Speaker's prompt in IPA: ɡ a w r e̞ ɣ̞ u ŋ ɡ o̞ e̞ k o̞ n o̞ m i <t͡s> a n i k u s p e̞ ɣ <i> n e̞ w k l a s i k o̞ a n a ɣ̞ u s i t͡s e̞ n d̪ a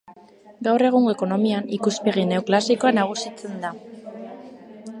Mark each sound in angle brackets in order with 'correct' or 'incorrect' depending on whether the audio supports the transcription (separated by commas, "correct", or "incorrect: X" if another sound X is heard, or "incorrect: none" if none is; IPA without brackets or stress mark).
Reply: incorrect: none, correct